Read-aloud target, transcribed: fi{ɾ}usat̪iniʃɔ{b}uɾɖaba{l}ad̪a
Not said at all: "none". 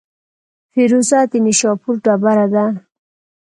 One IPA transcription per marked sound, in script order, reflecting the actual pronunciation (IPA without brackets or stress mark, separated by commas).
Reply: ɾ, p, ɾ